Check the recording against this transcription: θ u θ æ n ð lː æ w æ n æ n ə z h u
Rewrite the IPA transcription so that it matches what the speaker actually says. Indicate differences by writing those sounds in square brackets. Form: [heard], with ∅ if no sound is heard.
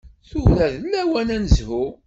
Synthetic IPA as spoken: θ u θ æ [∅] ð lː æ w æ n æ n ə z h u

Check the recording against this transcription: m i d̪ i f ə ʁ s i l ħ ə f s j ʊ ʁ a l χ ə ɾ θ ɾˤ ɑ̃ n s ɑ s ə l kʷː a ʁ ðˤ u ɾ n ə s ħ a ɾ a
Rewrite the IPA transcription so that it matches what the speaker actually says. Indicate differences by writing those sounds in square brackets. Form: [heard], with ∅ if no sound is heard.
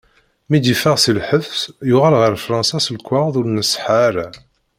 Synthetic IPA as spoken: m i d̪ i f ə ʁ s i l ħ ə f s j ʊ ʁ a l [ʁ] ə ɾ [f] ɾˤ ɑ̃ n s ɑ s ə l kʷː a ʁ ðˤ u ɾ n ə s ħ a ɾ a

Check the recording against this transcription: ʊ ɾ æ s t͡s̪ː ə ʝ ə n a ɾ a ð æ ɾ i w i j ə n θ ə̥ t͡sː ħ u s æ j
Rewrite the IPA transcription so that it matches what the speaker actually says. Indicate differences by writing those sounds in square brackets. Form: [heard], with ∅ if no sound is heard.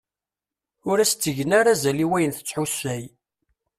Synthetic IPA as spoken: ʊ ɾ æ s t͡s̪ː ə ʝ ə n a ɾ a [z] æ [l] i w [æ] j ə n θ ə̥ t͡sː ħ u s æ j

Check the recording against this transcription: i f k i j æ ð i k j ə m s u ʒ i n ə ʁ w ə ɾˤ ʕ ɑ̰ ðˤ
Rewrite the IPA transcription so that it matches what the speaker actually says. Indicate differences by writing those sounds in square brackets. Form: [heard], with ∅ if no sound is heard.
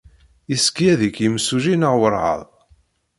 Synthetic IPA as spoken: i [s] k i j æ ð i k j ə m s u ʒ i n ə ʁ w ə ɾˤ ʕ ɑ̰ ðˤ

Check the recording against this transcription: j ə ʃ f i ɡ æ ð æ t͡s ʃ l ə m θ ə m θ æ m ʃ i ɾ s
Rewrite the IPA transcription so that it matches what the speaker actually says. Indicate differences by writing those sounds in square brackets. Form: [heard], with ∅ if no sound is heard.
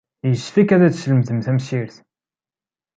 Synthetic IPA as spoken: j ə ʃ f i [k] æ ð æ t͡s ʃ l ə m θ ə m θ æ m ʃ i ɾ [θ]

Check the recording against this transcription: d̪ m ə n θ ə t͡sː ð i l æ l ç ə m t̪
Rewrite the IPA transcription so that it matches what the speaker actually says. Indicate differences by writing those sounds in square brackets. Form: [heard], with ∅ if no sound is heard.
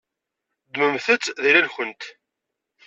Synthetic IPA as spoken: d̪ m ə [m] θ ə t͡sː ð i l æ l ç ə [n] t̪

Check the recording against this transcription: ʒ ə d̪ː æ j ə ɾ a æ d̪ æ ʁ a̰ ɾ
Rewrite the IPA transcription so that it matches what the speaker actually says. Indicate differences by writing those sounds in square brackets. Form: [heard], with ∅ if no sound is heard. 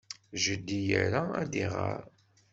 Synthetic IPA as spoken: ʒ ə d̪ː [i] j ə ɾ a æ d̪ [i] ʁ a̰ ɾ

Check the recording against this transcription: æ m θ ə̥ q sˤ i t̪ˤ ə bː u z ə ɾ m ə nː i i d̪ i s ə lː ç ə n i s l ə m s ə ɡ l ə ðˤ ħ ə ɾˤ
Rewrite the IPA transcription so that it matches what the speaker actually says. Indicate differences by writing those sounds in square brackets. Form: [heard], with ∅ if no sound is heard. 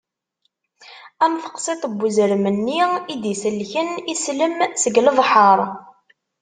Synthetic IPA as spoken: æ m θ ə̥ q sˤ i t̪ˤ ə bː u z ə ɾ m ə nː i i d̪ i s ə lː ç ə n i s l ə m s ə ɡ l ə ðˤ ħ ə ɾˤ

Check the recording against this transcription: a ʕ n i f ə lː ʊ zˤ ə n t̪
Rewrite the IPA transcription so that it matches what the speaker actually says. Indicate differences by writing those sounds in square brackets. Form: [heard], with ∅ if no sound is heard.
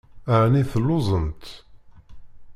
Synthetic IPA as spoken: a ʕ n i [θ] ə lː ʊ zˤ ə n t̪

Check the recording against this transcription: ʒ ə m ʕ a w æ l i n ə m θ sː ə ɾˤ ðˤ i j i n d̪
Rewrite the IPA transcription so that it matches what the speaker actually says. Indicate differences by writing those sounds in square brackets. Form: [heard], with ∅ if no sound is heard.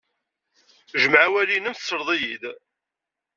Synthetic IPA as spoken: ʒ ə m ʕ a w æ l i n ə m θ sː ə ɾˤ ðˤ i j i [∅] d̪

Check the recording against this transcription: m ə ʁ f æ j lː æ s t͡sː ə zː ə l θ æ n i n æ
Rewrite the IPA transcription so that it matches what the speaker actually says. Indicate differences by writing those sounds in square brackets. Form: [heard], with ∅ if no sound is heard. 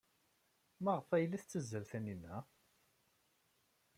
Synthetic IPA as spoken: m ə ʁ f æ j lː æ [θ] t͡sː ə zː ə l θ æ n i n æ

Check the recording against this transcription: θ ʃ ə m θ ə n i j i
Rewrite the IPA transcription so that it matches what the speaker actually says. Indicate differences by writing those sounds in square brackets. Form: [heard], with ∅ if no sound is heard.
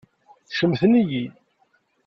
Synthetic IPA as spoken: θ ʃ ə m θ ə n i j i

